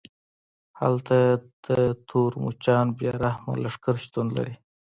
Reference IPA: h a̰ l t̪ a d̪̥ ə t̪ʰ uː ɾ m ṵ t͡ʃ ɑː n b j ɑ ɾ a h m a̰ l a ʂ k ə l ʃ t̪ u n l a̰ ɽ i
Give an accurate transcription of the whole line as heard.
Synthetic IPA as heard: h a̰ l t̪ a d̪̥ ə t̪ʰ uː ɾ m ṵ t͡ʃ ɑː n b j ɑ ɾ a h m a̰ l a ʂ k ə ɾ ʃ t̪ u n l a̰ ɾ i